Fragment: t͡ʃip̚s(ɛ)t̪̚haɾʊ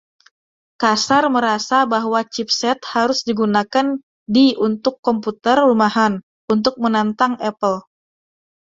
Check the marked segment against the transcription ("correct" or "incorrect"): correct